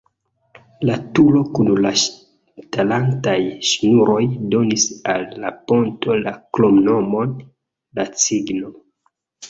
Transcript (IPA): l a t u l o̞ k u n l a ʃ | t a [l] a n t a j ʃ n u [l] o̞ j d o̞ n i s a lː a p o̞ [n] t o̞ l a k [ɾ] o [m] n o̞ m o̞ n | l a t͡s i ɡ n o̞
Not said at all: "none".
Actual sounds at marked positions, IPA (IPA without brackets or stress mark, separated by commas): l, ɾ, n, l, m